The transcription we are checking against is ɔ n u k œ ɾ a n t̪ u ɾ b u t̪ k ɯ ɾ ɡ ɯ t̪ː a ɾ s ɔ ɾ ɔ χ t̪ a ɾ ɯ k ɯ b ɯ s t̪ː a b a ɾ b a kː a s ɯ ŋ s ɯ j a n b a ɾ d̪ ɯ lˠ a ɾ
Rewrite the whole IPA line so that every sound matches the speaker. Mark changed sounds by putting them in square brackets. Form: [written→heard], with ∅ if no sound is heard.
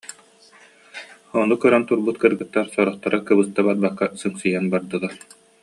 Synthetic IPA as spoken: ɔ n u k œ ɾ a n t̪ u ɾ b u t̪ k ɯ ɾ ɡ ɯ t̪ː a ɾ s ɔ ɾ ɔ χ t̪ a ɾ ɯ k ɯ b ɯ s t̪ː a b a ɾ b a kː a s ɯ ŋ s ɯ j a n b a ɾ d̪ ɯ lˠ a ɾ